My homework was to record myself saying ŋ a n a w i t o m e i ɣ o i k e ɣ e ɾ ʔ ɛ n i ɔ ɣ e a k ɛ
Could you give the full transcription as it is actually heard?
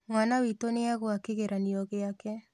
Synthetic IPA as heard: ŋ a n a w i t o n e a ɣ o a k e ɣ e ɾ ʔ a n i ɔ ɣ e a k ɛ